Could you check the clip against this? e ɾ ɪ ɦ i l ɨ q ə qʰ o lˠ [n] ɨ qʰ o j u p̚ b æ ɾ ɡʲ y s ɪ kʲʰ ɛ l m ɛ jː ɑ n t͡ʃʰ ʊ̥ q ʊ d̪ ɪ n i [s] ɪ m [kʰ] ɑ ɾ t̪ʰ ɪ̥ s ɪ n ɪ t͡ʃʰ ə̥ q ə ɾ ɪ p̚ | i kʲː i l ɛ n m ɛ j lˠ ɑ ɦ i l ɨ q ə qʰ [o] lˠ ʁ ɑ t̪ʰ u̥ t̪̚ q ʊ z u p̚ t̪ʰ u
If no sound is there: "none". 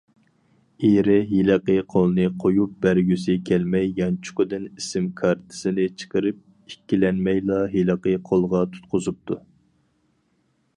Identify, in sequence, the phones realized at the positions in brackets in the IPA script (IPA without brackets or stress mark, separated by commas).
n, s, kʰ, o